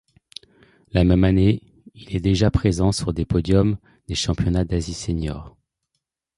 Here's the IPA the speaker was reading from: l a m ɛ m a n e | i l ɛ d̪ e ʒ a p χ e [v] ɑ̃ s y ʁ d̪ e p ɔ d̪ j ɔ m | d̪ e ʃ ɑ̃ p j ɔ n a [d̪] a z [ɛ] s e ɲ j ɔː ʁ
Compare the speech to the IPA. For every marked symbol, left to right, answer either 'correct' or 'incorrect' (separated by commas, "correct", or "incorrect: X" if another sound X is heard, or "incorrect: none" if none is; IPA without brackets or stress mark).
incorrect: z, correct, incorrect: i